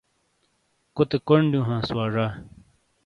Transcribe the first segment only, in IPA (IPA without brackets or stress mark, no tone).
k